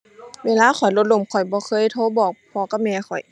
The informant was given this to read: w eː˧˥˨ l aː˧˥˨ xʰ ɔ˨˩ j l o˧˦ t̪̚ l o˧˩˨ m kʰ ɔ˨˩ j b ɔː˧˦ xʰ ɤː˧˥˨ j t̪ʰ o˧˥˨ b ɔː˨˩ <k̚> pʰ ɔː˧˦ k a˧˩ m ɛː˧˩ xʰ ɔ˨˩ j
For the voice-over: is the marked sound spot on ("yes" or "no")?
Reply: yes